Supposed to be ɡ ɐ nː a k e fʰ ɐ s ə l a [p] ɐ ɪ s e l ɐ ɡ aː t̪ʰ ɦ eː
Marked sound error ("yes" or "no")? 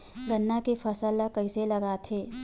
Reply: yes